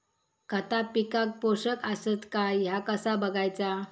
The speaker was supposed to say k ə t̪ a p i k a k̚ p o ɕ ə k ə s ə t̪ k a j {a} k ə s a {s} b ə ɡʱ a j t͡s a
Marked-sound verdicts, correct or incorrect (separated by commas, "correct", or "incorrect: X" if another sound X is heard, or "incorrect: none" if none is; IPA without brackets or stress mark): correct, incorrect: none